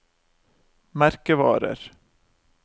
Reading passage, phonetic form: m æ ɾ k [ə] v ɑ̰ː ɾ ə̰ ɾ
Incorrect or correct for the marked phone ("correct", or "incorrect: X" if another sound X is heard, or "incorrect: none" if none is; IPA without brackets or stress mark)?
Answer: correct